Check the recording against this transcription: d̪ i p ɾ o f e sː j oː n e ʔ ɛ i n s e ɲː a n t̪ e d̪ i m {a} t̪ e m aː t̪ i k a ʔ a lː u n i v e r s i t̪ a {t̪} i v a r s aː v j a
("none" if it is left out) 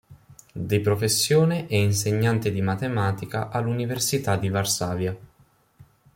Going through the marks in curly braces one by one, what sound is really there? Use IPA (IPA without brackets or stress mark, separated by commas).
a, d̪